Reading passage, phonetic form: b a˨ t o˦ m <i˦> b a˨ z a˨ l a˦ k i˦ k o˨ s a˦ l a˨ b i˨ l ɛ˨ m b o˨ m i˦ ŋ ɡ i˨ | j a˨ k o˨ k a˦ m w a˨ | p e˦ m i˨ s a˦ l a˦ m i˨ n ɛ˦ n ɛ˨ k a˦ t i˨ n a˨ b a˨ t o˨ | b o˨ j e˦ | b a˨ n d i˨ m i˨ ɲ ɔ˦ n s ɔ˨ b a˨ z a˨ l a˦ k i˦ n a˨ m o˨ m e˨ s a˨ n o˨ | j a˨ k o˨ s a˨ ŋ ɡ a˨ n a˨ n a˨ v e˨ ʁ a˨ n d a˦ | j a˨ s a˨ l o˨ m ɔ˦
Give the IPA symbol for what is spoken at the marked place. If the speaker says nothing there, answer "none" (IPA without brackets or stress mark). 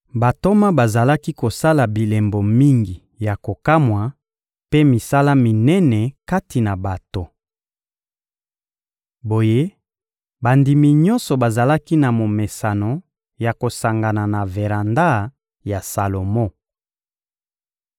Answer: a˦